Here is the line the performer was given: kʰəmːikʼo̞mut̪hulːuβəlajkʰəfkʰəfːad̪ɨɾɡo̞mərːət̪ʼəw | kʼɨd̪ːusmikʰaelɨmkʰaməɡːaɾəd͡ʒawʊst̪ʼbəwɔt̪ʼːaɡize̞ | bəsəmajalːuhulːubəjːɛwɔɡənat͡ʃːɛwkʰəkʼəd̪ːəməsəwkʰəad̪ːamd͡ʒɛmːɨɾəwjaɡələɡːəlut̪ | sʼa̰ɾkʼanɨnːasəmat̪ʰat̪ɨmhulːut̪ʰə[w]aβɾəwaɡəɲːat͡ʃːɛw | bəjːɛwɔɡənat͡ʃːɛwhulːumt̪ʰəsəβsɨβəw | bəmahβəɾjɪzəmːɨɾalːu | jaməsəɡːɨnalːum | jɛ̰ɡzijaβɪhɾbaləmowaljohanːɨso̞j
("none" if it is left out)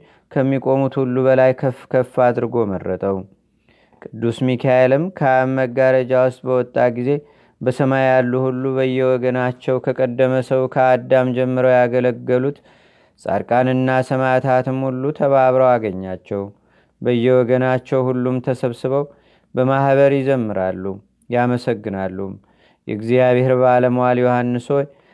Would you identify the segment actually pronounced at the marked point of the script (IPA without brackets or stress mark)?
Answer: β